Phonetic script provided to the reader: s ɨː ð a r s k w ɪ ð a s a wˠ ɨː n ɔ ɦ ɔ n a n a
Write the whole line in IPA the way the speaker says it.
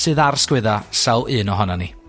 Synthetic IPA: s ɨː ð a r s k w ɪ ð a s a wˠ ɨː n ɔ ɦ ɔ n a n i